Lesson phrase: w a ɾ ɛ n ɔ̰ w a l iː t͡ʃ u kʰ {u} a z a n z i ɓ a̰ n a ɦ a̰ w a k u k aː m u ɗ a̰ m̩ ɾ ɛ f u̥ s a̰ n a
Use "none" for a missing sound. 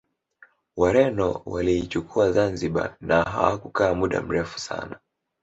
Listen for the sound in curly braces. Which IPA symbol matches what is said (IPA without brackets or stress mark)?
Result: u